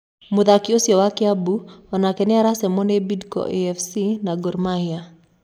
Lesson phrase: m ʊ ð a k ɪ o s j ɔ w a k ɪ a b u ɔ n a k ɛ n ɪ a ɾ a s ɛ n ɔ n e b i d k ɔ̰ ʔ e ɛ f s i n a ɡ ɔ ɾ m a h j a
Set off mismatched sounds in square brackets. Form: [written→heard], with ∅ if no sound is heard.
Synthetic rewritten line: m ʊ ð a k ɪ o s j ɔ w a k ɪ a b u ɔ n a k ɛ n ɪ a ɾ a s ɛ [n→m] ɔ n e b i d k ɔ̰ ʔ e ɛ f s i n a ɡ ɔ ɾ m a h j a

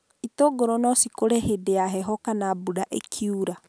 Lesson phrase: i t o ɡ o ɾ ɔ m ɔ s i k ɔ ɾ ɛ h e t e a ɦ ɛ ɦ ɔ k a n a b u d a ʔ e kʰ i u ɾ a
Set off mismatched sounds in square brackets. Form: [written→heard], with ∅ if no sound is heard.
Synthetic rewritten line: i t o ɡ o ɾ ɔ [m→n] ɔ s i k [ɔ→o] ɾ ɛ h e [t→d] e a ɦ ɛ ɦ ɔ k a n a b u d a ʔ e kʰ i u ɾ a

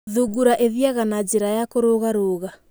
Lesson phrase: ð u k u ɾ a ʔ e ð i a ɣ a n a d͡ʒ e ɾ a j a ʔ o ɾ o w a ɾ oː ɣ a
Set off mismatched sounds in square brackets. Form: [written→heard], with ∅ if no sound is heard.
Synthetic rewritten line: ð u [k→ɡ] u ɾ a ʔ e ð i a ɣ a n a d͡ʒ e ɾ a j a [ʔ→k] o ɾ o [w→ɣ] a ɾ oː ɣ a

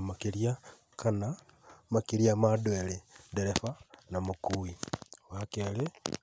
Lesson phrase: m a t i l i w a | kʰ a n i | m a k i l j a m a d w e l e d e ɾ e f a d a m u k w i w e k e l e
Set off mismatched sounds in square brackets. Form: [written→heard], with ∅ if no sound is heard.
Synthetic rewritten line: m a [t→k] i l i [w→∅] a | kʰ a n [i→a] | m a k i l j a m a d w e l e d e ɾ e f a [d→n] a m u k [w→u] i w [e→a] k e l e

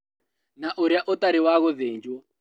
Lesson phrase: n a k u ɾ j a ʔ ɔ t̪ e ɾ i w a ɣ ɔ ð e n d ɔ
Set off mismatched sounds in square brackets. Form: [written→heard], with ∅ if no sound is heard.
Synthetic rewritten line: n a [k→ʔ] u ɾ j a ʔ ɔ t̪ [e→a] ɾ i w a ɣ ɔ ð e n [d→d͡ʒ] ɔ

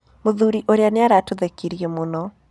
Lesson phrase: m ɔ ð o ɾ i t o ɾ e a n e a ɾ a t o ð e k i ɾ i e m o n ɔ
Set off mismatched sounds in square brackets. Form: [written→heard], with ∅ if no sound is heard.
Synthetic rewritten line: m [ɔ→o] ð [o→u] ɾ i [t→ʔ] o ɾ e a n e a ɾ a t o ð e k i ɾ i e m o n ɔ

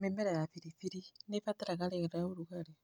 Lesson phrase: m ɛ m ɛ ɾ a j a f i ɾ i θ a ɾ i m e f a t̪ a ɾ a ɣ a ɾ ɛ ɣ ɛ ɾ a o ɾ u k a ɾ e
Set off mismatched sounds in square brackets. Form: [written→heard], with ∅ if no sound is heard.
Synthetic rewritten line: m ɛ m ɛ ɾ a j a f i ɾ i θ [a→i] ɾ i [m→n] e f a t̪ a ɾ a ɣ a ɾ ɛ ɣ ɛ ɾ a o ɾ u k a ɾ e

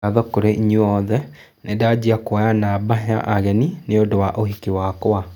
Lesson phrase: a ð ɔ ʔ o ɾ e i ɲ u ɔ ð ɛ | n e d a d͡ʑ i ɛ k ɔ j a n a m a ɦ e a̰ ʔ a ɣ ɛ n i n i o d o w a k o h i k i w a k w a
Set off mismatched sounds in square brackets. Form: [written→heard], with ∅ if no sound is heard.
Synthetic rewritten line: a ð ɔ [ʔ→k] o ɾ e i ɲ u ɔ ð ɛ | n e d a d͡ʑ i [ɛ→a] k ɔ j a n a [m→b] a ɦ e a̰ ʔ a ɣ ɛ n i n [i→e] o d o w a [k→ʔ] o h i k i w a k w a

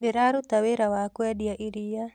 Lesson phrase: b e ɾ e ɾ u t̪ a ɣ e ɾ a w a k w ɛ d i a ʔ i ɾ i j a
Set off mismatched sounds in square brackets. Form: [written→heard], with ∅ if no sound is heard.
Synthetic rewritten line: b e ɾ [e→a] ɾ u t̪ a [ɣ→w] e ɾ a w a k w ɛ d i a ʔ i ɾ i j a

